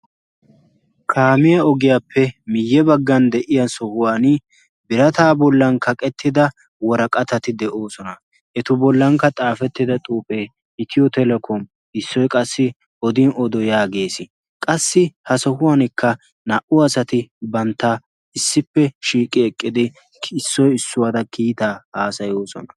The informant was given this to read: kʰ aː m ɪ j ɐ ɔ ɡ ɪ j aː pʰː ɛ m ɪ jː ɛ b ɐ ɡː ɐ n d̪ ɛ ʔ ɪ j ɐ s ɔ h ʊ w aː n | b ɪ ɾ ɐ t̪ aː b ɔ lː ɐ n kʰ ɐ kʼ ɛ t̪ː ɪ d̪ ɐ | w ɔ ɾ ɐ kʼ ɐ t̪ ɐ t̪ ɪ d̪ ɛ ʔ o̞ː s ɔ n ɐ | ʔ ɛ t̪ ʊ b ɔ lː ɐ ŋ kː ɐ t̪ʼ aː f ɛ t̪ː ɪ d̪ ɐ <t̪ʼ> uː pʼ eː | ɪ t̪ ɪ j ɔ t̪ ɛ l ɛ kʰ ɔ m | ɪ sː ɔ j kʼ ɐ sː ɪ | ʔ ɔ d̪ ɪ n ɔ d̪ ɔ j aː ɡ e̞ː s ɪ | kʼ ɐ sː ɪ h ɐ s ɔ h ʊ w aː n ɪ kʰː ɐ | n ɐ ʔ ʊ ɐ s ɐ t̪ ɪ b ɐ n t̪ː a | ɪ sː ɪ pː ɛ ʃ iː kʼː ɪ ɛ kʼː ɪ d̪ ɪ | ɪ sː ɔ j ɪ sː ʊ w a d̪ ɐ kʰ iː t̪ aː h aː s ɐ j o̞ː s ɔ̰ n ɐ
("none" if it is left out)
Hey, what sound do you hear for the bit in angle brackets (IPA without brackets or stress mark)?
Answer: t̪ʼ